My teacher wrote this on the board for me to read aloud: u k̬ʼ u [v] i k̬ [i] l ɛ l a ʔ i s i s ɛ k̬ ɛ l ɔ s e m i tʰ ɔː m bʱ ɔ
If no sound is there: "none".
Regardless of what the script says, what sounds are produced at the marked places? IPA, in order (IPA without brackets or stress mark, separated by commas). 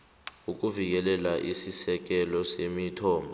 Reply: v, ɛ